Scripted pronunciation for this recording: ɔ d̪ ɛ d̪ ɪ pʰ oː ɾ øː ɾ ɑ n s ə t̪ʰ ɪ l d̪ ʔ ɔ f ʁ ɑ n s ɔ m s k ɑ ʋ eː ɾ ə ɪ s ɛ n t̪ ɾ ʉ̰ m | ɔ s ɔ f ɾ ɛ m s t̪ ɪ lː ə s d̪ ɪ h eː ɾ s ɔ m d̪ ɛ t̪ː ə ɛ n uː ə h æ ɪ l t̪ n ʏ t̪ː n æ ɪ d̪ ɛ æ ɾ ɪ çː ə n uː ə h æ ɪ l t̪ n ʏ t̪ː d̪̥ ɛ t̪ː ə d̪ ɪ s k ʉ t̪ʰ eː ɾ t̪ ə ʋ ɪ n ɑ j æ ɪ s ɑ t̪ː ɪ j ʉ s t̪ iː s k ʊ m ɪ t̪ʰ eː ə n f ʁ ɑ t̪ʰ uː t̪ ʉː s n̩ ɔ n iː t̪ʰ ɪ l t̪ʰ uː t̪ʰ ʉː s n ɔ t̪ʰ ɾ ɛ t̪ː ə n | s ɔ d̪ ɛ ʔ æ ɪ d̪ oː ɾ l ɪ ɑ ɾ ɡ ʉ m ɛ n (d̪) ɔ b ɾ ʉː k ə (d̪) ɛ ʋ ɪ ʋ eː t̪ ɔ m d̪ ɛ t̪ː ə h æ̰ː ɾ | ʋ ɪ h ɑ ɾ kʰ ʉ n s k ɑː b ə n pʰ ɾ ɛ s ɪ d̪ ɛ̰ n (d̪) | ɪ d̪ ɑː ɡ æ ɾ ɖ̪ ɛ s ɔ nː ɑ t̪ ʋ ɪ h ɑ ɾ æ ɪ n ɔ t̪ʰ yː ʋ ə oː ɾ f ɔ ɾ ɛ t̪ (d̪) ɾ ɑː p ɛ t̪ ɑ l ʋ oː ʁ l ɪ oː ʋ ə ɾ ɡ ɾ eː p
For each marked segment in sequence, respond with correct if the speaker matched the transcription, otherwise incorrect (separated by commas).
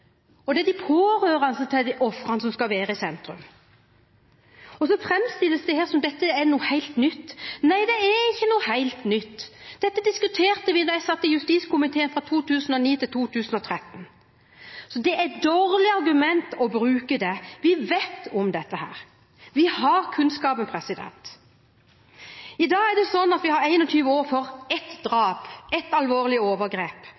incorrect, correct, incorrect, correct